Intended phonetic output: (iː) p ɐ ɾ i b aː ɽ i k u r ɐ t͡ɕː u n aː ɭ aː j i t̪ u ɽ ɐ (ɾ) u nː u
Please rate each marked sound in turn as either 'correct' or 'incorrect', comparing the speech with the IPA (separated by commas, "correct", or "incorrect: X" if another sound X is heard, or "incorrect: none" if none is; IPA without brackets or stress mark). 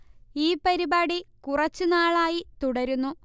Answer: correct, correct